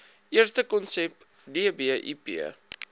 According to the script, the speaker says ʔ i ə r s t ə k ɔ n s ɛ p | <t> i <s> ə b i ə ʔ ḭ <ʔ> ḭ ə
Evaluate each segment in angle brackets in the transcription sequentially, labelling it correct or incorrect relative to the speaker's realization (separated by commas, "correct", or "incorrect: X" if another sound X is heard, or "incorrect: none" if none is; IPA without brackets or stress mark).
incorrect: d, incorrect: none, incorrect: p